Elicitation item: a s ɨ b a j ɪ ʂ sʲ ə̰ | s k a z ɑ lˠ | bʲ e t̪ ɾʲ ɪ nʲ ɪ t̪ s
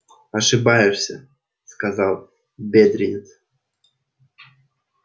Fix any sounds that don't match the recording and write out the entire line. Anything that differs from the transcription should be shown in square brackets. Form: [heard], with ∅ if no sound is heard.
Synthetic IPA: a [ʂ] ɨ b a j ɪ ʂ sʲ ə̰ | s k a z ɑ lˠ | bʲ e [d̪] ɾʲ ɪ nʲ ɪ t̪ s

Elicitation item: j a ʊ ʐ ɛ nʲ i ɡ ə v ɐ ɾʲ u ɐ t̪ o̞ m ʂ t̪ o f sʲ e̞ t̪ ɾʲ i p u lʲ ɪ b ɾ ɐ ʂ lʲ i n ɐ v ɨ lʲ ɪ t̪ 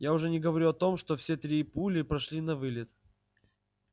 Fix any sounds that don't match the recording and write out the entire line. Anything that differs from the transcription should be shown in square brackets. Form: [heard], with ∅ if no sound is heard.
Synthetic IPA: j a ʊ ʐ ɛ nʲ [ɪ] ɡ ə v ɐ ɾʲ u ɐ t̪ o̞ m ʂ t̪ o f sʲ e̞ t̪ ɾʲ i p u lʲ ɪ [p] ɾ ɐ ʂ lʲ i n ɐ v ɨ lʲ ɪ t̪

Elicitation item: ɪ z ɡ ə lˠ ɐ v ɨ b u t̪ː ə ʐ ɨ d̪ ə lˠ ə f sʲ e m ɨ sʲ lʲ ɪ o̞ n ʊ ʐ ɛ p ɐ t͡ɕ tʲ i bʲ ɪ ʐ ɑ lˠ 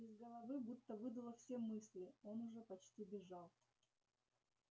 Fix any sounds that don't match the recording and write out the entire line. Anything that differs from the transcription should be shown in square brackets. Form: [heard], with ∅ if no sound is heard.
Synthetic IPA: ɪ z ɡ ə lˠ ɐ v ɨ b u t̪ː ə [v] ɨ d̪ ə lˠ ə f sʲ e m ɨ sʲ lʲ ɪ o̞ n ʊ ʐ ɛ p ɐ t͡ɕ tʲ i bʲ ɪ ʐ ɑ lˠ

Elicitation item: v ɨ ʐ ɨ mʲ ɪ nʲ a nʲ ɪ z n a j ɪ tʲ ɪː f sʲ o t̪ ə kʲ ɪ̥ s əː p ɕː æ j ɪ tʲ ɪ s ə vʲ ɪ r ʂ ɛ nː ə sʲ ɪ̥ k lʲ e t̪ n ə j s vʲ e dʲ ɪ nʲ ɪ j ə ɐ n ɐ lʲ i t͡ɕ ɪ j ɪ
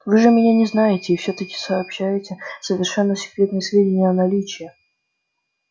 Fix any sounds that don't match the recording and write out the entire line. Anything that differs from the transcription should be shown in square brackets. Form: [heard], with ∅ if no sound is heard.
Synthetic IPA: v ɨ ʐ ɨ mʲ ɪ nʲ a nʲ ɪ z n a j ɪ tʲ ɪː f sʲ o t̪ ə kʲ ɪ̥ s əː p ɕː æ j ɪ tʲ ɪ s ə vʲ ɪ r ʂ ɛ nː ə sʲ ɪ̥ k [ɾʲ] e t̪ n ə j s vʲ e dʲ ɪ nʲ ɪ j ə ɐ n ɐ lʲ i t͡ɕ ɪ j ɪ

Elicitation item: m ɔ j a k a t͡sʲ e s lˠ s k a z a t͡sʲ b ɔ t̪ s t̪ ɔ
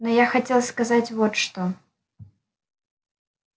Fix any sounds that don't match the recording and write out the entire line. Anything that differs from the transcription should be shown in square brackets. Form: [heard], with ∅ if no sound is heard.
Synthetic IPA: [n] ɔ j a [x] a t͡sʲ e [∅] lˠ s k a z a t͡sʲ [v] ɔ t̪ [ʂ] t̪ ɔ

